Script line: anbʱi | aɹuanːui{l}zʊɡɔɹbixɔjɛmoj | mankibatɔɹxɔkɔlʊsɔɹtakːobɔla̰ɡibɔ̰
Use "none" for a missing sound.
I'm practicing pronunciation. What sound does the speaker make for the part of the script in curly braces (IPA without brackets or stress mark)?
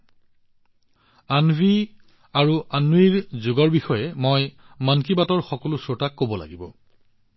ɹ